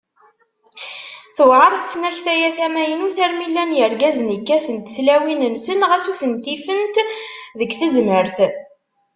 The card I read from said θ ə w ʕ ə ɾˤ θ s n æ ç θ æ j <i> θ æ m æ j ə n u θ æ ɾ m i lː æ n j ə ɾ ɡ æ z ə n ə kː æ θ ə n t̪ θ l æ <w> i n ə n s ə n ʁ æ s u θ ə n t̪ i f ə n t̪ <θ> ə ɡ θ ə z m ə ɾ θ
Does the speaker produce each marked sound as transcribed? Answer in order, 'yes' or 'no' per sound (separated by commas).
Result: no, yes, no